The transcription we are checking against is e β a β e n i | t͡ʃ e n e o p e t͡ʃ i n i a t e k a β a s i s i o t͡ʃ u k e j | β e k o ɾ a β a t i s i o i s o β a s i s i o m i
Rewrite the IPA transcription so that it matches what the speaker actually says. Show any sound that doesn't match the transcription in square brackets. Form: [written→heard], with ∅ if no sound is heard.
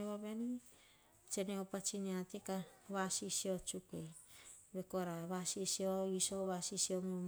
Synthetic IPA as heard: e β a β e n i | t͡ʃ e n e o p [e→a] t͡ʃ i n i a t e k a β a s i s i o t͡ʃ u k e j | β e k o ɾ a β a [t→s] i s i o i s o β a s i s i o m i